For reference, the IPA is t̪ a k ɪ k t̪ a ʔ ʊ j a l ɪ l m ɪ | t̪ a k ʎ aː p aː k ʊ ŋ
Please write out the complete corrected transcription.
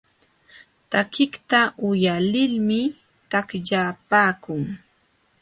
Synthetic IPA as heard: t̪ a k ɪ k t̪ a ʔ ʊ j a l ɪ l m ɪ | t̪ a k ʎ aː p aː k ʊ ŋ